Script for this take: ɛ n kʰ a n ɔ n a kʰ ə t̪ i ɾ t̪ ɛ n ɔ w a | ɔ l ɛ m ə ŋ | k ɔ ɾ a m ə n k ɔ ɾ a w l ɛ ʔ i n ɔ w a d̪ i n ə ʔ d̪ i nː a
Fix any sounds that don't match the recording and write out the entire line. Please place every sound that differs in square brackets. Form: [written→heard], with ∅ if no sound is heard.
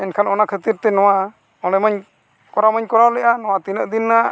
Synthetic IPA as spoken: ɛ n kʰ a n ɔ n a kʰ ə t̪ i ɾ t̪ ɛ n ɔ w a | ɔ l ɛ m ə [ŋ→ɲ] | k ɔ ɾ a m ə [n→ɲ] k ɔ ɾ a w l ɛ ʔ [i→a] n ɔ w a [d̪→t̪] i n ə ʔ d̪ i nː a